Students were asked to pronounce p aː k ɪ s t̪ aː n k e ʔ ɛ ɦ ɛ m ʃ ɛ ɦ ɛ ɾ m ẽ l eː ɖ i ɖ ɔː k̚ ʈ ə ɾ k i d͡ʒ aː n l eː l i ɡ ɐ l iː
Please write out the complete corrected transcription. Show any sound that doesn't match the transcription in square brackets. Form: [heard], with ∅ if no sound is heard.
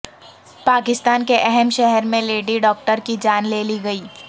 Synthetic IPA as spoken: p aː k ɪ s t̪ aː n k e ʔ ɛ ɦ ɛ m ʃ ɛ ɦ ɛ ɾ m ẽ l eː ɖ i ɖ ɔː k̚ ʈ ə ɾ k i d͡ʒ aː n l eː l i ɡ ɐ [∅] iː